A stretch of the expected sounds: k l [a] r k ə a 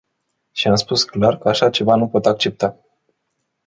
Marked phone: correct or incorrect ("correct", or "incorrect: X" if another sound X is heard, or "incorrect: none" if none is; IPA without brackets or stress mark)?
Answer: correct